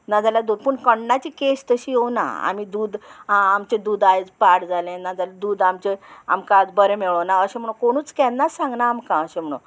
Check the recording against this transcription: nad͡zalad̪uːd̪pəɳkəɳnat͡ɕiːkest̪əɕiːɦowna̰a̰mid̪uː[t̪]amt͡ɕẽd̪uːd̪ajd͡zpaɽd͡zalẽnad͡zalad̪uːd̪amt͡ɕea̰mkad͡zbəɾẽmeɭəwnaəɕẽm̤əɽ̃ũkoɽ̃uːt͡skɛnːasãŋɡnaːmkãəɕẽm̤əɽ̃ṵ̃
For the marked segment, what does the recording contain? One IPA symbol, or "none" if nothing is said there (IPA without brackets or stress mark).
d̪